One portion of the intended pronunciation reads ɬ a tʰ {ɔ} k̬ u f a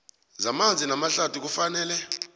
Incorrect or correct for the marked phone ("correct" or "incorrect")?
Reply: incorrect